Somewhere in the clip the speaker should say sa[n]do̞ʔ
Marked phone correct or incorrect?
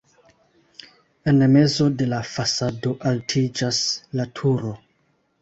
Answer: incorrect